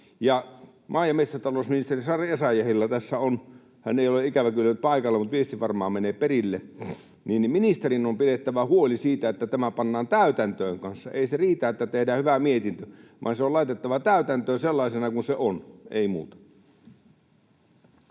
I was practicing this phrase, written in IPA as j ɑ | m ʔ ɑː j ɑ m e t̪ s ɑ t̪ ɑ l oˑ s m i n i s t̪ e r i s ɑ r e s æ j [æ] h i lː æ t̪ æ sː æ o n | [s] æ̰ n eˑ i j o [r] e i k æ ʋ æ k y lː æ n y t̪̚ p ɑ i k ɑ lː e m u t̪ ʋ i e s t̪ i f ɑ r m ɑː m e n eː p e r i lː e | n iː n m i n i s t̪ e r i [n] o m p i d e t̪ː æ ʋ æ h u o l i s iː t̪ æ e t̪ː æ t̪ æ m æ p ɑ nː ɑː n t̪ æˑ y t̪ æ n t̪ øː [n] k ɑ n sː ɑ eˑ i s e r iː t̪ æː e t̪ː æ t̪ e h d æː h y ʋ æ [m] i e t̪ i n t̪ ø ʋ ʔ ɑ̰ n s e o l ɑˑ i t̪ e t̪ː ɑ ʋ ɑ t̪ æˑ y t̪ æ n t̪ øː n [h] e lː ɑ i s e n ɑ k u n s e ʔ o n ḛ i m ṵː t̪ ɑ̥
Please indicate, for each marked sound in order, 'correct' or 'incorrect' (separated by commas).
correct, incorrect, incorrect, correct, incorrect, correct, incorrect